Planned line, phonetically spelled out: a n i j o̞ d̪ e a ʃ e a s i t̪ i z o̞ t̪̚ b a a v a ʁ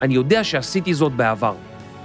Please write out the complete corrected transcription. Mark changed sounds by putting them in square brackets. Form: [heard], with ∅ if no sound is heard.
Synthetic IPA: a n i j o̞ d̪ e a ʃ e a s i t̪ i z o̞ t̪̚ b [e] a v a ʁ